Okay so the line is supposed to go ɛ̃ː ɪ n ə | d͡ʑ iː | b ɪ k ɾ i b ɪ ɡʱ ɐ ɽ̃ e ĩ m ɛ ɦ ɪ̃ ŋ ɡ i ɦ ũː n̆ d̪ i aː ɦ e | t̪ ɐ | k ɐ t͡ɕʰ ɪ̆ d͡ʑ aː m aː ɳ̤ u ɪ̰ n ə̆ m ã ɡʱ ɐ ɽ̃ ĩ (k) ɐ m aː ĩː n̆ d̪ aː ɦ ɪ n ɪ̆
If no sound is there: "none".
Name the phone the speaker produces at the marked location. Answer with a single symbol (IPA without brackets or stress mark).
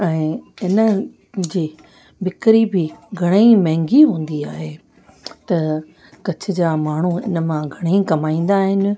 k